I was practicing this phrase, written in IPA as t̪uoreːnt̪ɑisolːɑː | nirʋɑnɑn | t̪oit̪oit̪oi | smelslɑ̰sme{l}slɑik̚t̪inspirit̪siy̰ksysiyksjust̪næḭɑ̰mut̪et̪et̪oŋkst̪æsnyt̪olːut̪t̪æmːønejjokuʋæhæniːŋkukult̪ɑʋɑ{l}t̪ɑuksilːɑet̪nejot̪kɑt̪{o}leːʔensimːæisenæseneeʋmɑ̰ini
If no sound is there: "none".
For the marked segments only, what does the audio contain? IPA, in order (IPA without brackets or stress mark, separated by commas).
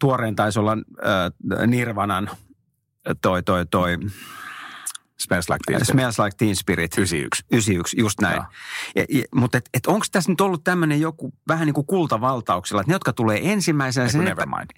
l, l, u